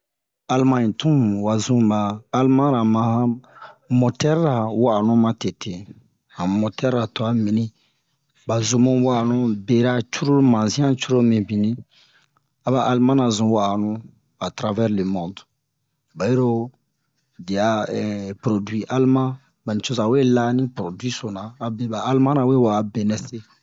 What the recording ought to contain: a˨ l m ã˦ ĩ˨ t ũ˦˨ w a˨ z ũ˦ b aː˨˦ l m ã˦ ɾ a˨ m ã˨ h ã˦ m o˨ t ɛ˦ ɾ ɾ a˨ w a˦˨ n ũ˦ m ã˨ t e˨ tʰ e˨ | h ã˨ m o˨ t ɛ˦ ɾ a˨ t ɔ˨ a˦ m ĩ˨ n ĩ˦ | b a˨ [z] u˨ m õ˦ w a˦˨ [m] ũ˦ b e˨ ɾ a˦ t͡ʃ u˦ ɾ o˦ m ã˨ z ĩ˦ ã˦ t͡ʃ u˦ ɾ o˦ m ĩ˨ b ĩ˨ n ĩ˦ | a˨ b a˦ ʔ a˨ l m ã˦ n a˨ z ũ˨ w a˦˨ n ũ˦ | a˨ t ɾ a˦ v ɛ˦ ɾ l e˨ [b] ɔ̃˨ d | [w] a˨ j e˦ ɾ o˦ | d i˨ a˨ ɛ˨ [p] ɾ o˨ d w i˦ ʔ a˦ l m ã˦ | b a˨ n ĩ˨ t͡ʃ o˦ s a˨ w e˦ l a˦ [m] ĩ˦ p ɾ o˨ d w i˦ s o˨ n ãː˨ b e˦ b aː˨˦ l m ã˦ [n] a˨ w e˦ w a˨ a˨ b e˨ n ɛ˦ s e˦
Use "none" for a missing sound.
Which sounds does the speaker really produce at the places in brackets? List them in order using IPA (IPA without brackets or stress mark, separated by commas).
z, n, m, b, p, n, n